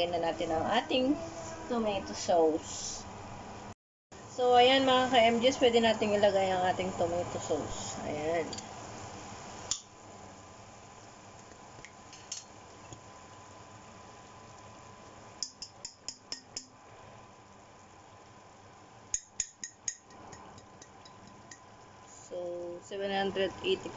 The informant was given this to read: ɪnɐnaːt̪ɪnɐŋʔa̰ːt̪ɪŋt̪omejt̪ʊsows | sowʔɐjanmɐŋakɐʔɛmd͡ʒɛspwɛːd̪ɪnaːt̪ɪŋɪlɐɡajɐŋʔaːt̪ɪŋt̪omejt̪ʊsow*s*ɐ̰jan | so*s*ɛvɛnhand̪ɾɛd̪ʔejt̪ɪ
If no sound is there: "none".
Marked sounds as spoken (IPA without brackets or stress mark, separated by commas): s, s